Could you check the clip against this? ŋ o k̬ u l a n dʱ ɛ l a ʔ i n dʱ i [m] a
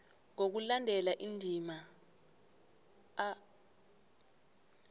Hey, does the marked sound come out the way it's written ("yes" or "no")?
yes